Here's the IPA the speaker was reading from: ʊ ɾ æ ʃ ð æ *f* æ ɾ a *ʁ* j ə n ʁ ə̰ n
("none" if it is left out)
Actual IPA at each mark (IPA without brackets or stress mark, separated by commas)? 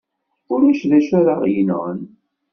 ʃ, ʁ